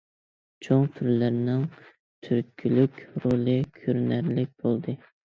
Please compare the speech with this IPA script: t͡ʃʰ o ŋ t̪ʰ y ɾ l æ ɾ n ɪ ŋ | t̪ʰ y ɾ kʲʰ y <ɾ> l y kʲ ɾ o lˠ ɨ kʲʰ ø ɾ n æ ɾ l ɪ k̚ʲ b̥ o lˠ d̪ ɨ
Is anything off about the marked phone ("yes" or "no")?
yes